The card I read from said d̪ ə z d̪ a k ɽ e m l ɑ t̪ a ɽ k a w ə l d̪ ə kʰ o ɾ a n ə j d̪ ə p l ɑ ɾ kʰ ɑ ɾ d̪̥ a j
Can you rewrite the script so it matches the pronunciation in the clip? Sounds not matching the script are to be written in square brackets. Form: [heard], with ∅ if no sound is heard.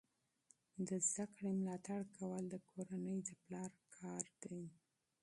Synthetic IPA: d̪ ə z d̪ a k ɽ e m l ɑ t̪ a ɽ k a w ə l d̪ ə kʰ o ɾ a n ə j d̪ ə p l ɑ ɾ kʰ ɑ ɾ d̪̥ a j